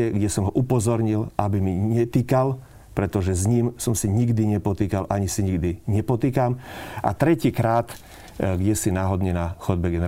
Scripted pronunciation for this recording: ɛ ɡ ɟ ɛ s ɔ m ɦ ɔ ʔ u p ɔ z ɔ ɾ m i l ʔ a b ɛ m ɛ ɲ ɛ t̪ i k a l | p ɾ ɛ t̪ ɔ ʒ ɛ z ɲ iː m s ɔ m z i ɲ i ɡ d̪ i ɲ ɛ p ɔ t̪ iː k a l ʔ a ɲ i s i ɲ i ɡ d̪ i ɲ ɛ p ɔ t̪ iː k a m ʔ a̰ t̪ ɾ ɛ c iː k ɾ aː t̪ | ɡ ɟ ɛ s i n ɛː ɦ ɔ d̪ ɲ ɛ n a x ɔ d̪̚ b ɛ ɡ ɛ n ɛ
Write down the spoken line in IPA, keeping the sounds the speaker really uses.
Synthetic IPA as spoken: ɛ ɡ ɟ ɛ s ɔ m ɦ ɔ ʔ u p ɔ z ɔ ɾ ɲ i l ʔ a b i m i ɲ ɛ t̪ i k a l | p ɾ ɛ t̪ ɔ ʒ ɛ z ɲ iː m s ɔ m s i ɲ i ɡ d̪ i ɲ ɛ p ɔ t̪ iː k a l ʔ a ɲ i s i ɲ i ɡ d̪ i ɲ ɛ p ɔ t̪ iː k a m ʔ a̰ t̪ ɾ ɛ c iː k ɾ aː t̪ | ɡ ɟ ɛ s i n aː ɦ ɔ d̪ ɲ ɛ n a x ɔ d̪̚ b ɛ ɡ ɛ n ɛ